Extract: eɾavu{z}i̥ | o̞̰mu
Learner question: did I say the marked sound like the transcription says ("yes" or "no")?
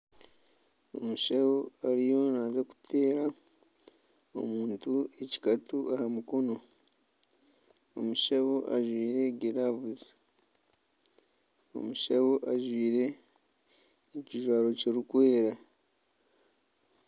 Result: yes